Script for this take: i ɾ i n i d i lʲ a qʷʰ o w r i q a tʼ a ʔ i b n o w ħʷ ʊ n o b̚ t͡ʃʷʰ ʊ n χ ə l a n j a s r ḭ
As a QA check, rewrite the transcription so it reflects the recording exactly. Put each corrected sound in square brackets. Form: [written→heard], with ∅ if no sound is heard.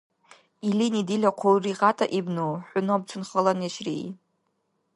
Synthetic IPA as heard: i [ɾ→l] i n i d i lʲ a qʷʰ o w r i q a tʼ a ʔ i b n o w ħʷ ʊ n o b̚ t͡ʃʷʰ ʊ n χ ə l a n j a [s→ʃ] r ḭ